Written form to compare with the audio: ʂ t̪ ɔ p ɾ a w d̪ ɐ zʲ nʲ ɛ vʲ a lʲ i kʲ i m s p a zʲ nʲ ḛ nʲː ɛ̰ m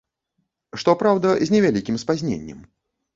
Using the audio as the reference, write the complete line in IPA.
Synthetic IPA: ʂ t̪ ɔ p ɾ a w d̪ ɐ zʲ nʲ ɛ vʲ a lʲ i kʲ i m s p a zʲ nʲ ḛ nʲː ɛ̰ m